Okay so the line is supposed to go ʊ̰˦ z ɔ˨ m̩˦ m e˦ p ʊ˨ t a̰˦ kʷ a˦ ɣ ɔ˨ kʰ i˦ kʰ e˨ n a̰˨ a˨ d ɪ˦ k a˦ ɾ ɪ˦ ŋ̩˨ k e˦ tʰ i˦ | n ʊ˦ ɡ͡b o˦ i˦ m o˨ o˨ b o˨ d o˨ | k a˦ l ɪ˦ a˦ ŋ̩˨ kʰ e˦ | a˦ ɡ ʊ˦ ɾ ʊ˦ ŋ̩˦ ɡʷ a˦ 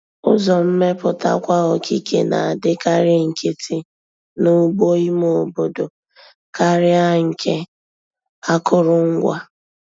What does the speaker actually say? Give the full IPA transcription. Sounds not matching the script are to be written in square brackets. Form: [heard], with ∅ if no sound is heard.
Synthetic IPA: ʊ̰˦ z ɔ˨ m̩˦ m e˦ p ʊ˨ t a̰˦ kʷ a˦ ɣ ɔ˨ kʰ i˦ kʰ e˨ n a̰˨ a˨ d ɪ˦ k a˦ ɾ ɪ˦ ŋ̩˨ k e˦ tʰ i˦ | n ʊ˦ ɡ͡b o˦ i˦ m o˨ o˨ b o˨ d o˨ | k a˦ [ɾ] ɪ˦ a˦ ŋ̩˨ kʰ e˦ | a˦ [k] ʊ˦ ɾ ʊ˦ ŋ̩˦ ɡʷ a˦

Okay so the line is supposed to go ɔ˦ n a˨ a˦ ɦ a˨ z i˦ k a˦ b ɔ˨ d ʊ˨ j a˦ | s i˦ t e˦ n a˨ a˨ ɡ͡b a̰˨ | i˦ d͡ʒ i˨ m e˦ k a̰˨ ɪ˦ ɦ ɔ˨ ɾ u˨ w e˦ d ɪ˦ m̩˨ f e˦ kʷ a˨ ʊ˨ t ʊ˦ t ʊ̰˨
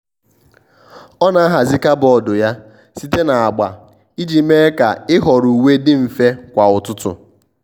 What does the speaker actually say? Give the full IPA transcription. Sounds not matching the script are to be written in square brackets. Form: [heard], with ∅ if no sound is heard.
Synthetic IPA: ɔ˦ n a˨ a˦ ɦ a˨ z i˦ k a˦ b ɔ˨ d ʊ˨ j a˦ | s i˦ t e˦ n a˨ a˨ ɡ͡b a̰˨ | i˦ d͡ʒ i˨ m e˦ k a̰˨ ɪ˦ ɦ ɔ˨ ɾ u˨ w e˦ d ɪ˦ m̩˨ f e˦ kʷ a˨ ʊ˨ t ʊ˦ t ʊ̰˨

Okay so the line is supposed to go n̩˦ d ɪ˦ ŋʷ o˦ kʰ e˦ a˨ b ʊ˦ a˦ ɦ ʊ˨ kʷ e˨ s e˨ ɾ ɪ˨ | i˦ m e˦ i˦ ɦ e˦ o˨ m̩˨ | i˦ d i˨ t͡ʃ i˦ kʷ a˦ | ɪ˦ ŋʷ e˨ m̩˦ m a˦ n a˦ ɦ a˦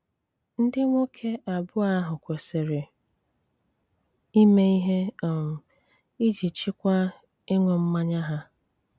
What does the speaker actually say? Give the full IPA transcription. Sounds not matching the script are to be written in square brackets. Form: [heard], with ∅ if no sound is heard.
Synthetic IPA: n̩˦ d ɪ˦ ŋʷ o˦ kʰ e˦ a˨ b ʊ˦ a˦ ɦ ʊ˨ kʷ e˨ s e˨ ɾ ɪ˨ | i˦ m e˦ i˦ ɦ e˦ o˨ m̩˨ | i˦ [d͡ʒ] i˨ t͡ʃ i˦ kʷ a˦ | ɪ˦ ŋʷ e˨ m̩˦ m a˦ [ɲ] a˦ ɦ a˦

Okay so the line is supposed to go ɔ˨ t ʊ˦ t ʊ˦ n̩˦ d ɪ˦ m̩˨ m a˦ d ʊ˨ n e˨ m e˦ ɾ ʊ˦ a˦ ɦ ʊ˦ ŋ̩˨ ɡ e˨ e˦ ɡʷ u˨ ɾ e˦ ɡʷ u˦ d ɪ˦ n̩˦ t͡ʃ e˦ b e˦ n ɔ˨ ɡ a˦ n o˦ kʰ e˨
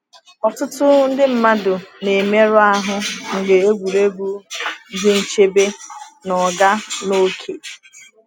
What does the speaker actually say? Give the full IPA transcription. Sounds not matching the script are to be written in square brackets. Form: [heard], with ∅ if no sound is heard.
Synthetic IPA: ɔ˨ t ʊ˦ t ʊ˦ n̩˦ d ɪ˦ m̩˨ m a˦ d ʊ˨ n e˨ m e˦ ɾ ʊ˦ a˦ ɦ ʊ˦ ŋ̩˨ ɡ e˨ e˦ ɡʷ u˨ ɾ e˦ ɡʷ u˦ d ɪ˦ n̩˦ t͡ʃ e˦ b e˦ n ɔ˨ ɡ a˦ n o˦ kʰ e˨

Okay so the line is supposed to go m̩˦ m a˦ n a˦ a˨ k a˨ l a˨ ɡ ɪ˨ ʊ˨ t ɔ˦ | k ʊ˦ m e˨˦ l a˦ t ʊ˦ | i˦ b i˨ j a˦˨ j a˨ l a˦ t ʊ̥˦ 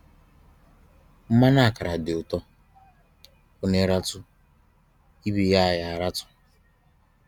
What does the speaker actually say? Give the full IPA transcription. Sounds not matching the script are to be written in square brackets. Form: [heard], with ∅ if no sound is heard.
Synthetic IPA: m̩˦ m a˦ n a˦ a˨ k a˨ [ɾ] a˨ [d] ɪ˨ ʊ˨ t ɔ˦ | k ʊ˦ [n] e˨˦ [ɾ] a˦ t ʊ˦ | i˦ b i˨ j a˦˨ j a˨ [ɾ] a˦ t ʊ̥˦

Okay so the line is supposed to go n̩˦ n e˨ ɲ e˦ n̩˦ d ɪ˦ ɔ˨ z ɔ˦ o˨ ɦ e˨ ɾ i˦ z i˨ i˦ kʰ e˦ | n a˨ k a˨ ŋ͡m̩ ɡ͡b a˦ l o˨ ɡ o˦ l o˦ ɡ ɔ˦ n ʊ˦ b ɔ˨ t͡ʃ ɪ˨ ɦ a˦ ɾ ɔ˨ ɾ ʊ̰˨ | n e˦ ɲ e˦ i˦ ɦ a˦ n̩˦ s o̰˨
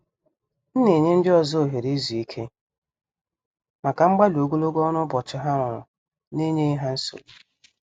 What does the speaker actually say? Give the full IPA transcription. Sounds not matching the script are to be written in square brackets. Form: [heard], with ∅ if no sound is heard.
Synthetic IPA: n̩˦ n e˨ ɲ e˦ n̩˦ d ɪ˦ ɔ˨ z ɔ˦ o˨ ɦ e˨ ɾ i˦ z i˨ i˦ kʰ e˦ | [m] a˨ k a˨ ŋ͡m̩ ɡ͡b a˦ l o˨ ɡ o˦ l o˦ ɡ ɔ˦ n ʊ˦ b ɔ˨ t͡ʃ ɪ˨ ɦ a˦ ɾ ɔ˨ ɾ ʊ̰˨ | n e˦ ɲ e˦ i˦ ɦ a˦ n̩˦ s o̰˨

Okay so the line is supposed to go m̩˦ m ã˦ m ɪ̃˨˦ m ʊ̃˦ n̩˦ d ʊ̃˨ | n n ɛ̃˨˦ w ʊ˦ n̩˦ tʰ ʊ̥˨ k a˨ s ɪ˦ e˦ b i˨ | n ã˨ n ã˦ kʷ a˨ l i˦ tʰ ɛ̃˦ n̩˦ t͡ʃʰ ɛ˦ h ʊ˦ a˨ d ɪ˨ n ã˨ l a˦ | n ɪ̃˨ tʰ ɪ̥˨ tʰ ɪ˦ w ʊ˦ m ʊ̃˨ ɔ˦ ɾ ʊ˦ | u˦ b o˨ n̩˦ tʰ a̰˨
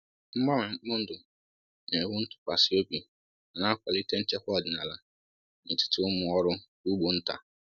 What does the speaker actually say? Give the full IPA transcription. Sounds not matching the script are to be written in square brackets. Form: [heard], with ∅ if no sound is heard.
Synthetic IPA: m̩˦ m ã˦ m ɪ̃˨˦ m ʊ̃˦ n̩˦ d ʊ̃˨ | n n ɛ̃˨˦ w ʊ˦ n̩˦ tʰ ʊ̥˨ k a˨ s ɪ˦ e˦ b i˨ | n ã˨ n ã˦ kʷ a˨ l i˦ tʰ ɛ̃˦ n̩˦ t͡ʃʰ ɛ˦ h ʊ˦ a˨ d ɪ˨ n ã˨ l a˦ | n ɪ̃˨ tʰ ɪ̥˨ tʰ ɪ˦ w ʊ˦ m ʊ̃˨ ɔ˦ ɾ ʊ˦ | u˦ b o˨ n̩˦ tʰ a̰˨

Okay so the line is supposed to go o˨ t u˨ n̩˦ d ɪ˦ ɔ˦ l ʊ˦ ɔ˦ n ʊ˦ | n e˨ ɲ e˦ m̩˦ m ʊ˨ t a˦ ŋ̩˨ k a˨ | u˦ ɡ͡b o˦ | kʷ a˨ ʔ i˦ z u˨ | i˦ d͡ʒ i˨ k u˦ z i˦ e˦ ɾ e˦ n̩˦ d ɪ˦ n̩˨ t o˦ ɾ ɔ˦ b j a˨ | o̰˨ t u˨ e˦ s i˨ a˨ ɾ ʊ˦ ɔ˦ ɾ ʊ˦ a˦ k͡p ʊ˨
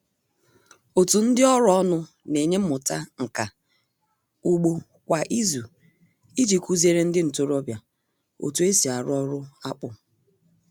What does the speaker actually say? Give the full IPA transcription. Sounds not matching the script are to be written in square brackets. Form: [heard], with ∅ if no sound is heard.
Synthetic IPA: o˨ t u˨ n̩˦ d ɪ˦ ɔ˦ [ɾ] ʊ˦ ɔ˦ n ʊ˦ | n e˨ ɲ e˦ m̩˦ m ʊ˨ t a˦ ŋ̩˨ k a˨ | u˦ ɡ͡b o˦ | kʷ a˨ ʔ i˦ z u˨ | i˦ d͡ʒ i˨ k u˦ z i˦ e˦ ɾ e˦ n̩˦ d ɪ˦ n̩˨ t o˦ ɾ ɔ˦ b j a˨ | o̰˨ t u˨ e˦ s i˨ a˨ ɾ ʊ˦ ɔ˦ ɾ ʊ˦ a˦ k͡p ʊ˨

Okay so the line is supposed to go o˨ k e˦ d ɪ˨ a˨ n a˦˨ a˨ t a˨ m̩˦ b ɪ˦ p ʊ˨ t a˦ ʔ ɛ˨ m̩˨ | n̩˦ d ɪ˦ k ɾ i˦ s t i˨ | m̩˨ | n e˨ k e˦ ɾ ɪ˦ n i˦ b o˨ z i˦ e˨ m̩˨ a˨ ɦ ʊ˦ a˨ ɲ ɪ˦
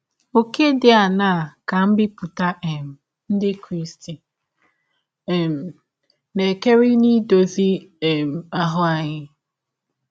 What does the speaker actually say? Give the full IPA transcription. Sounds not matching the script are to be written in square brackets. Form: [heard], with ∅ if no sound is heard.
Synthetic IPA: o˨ k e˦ d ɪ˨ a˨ n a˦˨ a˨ [k] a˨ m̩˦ b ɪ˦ p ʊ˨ t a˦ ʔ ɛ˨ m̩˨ | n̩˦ d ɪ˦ k ɾ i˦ s t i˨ | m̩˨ | n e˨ k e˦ ɾ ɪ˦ n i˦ [d] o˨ z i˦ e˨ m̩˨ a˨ ɦ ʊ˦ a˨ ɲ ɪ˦

